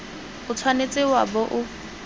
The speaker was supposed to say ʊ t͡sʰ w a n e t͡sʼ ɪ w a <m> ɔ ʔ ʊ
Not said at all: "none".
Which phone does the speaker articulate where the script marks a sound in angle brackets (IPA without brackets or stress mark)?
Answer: b